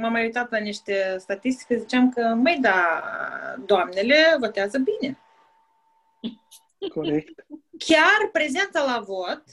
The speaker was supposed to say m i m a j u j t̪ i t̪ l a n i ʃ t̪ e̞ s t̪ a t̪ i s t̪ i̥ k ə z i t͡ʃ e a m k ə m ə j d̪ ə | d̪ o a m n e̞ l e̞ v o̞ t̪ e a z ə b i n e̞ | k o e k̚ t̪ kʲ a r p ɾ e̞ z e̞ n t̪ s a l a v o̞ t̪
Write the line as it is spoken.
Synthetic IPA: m a m a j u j t̪ a t̪ l a n i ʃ t̪ e̞ s t̪ a t̪ i s t̪ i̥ k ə z i t͡ʃ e a m k ə m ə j d̪ a | d̪ o a m n e̞ l e̞ v o̞ t̪ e a z ə b i n e̞ | k o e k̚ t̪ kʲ a r p ɾ e̞ z e̞ n t̪ s a l a v o̞ t̪